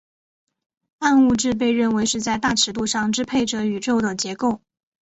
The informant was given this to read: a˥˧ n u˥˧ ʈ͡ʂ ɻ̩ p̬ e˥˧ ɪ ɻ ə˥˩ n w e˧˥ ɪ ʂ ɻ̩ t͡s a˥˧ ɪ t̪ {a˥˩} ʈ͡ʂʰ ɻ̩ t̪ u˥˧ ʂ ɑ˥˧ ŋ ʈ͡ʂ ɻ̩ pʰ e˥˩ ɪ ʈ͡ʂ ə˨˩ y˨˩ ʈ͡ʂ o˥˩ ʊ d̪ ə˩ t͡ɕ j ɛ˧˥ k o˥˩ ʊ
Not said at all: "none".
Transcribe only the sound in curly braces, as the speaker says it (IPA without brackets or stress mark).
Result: a˥˩